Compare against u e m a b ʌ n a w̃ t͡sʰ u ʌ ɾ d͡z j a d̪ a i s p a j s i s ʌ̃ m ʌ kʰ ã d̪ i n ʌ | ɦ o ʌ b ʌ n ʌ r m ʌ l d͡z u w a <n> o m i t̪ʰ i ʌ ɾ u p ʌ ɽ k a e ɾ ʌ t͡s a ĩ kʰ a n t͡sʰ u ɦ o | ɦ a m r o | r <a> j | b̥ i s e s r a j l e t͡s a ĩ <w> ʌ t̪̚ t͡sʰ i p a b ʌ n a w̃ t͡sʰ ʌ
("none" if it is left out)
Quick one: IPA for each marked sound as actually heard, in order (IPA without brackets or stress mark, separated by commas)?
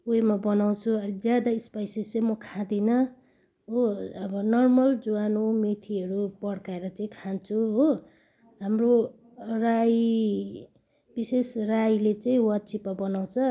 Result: n, a, w